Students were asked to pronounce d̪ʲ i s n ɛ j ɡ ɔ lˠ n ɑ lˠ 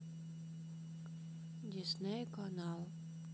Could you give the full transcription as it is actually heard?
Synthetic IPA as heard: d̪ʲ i s n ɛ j k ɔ n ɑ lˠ